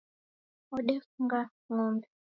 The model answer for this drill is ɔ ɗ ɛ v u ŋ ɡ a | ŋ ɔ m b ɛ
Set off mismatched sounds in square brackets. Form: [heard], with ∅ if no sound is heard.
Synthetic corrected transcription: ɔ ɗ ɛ [f] u ŋ ɡ a | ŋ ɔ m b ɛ